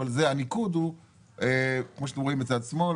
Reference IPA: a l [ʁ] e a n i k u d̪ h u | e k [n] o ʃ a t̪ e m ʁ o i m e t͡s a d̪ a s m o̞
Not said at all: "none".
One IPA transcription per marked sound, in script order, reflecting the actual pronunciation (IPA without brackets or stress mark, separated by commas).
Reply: z, m